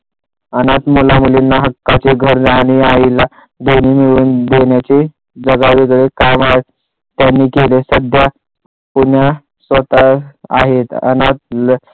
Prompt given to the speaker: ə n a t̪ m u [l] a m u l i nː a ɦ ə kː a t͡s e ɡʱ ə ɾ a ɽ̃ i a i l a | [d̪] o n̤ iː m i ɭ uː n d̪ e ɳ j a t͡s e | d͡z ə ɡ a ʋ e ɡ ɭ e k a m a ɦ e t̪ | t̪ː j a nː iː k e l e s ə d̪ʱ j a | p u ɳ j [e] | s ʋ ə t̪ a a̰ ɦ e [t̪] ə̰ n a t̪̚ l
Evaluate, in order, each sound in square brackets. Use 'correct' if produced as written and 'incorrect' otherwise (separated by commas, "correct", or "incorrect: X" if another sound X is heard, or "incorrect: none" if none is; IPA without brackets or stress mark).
correct, correct, incorrect: a, correct